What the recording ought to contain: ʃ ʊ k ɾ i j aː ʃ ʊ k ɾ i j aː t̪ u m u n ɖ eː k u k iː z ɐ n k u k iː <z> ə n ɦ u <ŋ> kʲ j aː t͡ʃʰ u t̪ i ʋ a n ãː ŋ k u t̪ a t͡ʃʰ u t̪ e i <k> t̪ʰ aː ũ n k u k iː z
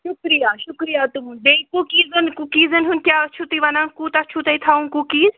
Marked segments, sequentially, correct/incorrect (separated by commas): correct, incorrect, incorrect